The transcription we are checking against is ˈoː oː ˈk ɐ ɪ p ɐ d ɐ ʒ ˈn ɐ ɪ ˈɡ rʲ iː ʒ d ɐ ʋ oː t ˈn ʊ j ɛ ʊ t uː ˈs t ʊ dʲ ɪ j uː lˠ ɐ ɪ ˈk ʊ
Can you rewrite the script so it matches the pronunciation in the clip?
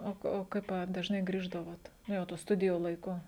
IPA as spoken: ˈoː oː ˈk ɐ ɪ p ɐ d ɐ ʒ ˈn ɐ ɪ ˈɡ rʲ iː ʒ d ɐ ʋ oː t ˈn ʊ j ɛ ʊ t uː ˈs t ʊ dʲ ɪ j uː lˠ ɐ ɪ ˈk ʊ